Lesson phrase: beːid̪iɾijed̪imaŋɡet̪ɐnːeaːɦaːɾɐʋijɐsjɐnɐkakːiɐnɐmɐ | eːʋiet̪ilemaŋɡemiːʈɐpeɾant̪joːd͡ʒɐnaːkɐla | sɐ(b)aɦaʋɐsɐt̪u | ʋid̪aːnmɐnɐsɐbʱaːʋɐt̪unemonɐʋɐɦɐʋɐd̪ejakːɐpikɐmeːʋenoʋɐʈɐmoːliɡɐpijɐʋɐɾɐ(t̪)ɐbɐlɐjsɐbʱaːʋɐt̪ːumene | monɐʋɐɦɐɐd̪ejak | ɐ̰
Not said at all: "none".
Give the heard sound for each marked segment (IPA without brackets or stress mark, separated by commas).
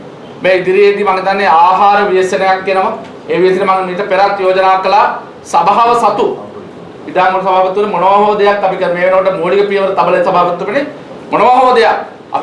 b, t̪